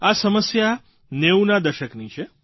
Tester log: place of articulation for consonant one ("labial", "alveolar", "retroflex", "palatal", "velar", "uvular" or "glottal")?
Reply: alveolar